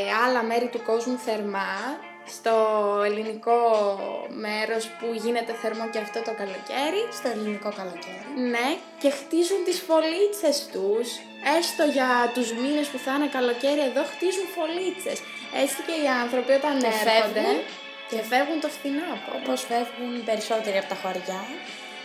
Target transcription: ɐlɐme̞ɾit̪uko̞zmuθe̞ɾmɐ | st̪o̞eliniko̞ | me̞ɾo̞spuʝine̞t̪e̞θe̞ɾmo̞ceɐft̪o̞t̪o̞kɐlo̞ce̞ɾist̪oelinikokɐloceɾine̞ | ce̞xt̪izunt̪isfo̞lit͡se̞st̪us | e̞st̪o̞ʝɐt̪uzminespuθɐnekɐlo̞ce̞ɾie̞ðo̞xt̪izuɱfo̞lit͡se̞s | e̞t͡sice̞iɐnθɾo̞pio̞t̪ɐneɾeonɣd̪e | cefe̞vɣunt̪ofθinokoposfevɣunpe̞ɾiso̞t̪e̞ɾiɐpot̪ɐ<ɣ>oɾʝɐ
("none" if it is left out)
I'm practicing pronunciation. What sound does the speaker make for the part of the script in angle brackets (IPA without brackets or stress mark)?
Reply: x